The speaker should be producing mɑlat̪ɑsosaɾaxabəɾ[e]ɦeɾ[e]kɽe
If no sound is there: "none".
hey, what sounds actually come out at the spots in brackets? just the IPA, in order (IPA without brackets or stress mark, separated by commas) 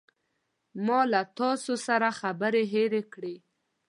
e, e